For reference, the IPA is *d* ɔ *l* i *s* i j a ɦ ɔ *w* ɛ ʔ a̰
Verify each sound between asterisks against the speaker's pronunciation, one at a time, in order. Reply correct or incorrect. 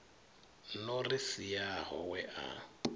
incorrect: n, incorrect: r, correct, correct

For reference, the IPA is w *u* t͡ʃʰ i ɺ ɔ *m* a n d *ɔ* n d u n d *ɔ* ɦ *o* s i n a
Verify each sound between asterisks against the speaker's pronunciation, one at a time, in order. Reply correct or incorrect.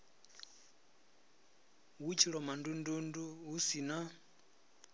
correct, correct, incorrect: u, incorrect: u, incorrect: u

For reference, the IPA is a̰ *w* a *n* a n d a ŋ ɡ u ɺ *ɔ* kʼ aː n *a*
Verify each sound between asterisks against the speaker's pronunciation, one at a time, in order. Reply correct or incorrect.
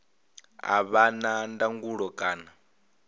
incorrect: β, correct, correct, correct

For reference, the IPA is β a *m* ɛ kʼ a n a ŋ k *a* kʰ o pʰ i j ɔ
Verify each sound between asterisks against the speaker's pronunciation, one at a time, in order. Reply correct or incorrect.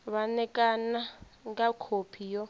incorrect: n, correct

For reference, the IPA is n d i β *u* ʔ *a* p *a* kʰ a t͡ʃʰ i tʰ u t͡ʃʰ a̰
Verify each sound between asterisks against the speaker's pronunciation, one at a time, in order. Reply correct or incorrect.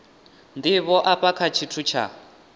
incorrect: ɔ, correct, correct

